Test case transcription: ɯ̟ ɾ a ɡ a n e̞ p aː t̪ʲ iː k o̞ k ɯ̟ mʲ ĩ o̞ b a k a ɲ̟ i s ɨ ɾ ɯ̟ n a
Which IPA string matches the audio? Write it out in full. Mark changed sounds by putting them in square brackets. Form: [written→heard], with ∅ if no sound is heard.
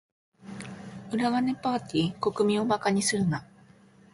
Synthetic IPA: ɯ̟ ɾ a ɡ a n e̞ p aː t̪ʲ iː k o̞ k ɯ̟ mʲ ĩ o̞ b a k a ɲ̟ i s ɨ ɾ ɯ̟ n a